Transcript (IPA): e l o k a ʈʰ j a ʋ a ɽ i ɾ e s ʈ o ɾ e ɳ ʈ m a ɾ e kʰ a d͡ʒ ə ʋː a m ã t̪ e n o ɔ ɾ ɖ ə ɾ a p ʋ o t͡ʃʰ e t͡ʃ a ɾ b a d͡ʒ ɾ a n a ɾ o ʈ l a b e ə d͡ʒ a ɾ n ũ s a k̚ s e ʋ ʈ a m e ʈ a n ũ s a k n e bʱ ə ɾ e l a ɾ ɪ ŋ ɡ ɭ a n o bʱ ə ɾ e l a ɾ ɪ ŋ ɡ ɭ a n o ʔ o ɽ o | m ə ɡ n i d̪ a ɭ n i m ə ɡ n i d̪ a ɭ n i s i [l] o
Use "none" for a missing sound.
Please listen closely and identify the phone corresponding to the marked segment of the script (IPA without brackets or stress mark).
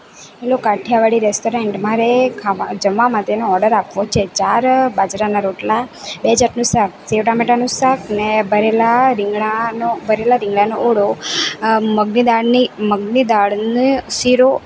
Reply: ɾ